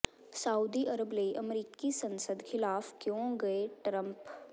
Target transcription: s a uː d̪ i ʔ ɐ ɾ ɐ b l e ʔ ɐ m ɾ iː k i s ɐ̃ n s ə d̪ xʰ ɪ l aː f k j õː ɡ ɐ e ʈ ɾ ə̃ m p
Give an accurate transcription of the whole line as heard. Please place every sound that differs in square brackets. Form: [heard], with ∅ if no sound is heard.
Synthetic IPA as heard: s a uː d̪ i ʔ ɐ ɾ [ə] b l e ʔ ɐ m ɾ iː k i s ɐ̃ n s ə d̪ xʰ ɪ l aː f k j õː ɡ ɐ e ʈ ɾ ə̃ m p